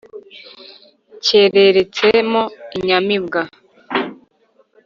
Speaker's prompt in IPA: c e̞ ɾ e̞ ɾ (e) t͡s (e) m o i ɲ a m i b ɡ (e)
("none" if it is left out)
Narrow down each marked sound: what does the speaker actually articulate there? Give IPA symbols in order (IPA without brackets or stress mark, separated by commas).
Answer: e, e, a